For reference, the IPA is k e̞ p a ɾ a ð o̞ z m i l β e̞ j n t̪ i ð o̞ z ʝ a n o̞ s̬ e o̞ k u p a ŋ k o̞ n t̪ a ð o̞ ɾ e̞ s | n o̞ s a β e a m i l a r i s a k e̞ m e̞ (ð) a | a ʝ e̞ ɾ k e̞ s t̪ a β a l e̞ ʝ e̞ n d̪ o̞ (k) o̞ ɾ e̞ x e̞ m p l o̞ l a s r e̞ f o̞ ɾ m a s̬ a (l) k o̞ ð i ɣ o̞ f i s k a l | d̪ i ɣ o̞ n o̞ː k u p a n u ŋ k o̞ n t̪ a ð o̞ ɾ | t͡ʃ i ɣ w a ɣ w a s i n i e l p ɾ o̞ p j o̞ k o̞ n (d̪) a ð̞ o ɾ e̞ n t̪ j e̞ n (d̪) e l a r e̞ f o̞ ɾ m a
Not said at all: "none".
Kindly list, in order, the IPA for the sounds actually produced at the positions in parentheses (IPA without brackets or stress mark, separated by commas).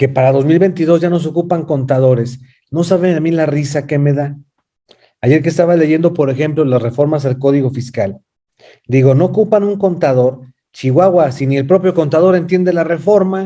ð, p, l, t̪, d̪